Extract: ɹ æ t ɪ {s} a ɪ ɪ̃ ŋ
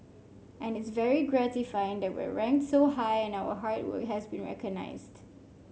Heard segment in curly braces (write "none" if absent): f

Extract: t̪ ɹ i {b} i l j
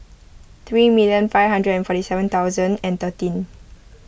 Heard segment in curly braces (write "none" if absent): m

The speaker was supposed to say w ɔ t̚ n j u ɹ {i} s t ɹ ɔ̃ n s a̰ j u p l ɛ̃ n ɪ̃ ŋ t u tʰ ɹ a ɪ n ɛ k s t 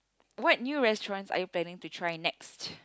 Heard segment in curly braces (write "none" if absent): ɛ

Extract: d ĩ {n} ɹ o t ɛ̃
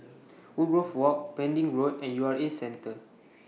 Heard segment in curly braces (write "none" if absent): ŋ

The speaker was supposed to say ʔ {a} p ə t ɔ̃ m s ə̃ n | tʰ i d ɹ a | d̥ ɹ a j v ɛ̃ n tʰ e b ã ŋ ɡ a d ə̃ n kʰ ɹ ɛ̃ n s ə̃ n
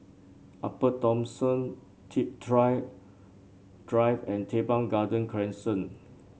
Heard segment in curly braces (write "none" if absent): a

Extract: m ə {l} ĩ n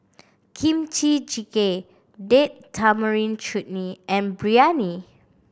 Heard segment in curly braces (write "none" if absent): ɹ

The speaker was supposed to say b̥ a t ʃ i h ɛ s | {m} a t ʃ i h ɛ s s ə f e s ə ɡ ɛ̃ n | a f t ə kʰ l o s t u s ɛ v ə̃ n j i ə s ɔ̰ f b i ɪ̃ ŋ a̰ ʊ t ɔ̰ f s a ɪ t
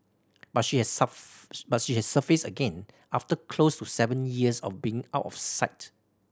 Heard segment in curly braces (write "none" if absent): b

